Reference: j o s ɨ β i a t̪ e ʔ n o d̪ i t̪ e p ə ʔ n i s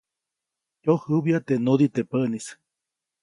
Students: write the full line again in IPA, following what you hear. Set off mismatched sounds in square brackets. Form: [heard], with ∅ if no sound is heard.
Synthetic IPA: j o [h] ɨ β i a t̪ e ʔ n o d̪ i t̪ e p ə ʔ n i s